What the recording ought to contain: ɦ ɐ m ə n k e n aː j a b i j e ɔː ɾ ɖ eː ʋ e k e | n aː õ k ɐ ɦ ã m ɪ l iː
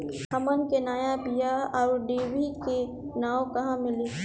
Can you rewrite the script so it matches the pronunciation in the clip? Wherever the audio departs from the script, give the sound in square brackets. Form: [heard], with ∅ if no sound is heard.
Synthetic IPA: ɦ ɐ m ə n k e n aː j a b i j [a] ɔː ɾ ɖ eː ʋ [i] k e | n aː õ k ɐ ɦ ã m ɪ l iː